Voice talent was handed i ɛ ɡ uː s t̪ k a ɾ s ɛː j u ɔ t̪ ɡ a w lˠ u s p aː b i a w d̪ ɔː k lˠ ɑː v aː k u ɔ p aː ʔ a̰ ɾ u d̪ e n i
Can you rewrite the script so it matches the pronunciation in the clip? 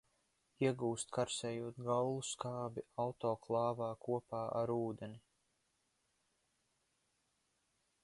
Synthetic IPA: i ɛ ɡ uː s t̪ k a ɾ s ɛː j u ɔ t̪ ɡ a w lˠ u s k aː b i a w t̪ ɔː k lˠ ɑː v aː k u ɔ p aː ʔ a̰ ɾ uː d̪ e n i